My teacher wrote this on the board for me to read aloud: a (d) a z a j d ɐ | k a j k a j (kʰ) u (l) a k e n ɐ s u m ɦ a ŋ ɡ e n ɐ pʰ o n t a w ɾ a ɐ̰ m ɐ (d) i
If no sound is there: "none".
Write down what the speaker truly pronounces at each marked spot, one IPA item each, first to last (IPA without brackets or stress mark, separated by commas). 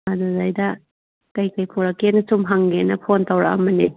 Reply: d, pʰ, ɾ, n